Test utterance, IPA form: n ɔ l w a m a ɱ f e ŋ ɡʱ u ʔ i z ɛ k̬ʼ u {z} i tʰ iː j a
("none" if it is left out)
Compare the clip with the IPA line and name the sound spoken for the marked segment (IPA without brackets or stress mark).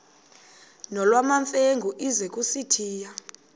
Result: s